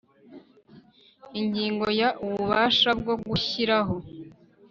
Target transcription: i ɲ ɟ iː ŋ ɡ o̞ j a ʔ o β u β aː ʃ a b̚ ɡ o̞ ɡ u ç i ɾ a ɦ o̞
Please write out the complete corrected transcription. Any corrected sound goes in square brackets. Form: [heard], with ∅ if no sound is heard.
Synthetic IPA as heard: i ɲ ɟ iː ŋ ɡ o̞ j a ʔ [u] β u β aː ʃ a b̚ ɡ o̞ ɡ u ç i ɾ a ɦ o̞

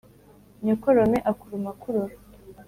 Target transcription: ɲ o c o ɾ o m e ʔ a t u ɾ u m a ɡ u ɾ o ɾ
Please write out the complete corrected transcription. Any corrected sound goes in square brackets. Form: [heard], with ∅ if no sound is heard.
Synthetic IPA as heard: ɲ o [k] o ɾ o m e ʔ a [k] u ɾ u m a [k] u ɾ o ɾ

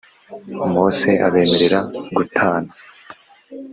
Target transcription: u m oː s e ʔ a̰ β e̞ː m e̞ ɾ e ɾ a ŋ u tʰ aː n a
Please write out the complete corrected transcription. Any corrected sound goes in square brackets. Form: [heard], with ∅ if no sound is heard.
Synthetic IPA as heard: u m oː s e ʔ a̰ β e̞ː m e̞ ɾ e ɾ a [ɡ] u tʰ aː n a

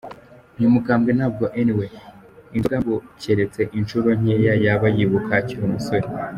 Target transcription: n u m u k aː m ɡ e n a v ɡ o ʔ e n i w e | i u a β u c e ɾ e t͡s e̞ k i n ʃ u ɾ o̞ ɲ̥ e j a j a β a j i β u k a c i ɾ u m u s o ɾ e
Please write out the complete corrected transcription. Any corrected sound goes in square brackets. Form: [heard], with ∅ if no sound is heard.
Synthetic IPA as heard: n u m u k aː m ɡ e n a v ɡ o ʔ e n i w e | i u a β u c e ɾ e t͡s e̞ [ʔ] i n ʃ u ɾ o̞ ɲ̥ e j a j a β a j i β u k a c i ɾ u m u s o ɾ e

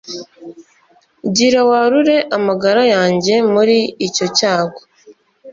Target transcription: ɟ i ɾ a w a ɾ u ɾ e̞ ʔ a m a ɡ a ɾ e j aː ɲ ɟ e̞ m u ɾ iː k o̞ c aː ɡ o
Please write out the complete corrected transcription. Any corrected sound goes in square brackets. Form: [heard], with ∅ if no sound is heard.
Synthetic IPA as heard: ɟ i ɾ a w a ɾ u ɾ e̞ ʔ a m a ɡ a ɾ [a] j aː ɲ ɟ e̞ m u ɾ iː [c] o̞ c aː ɡ o

